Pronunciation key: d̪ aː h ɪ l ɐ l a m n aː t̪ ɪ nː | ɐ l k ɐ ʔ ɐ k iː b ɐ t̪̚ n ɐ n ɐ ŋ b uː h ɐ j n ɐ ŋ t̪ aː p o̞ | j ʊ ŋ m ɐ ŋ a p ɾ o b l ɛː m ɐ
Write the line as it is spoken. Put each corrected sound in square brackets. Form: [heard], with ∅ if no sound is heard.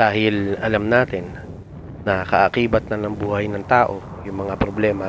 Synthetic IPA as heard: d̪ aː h ɪ l ɐ l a m n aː t̪ ɪ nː | ɐ [∅] k ɐ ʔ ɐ k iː b ɐ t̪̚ n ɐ n ɐ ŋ b uː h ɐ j n ɐ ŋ t̪ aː [ʔ] o̞ | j ʊ ŋ m ɐ ŋ a p ɾ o b l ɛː m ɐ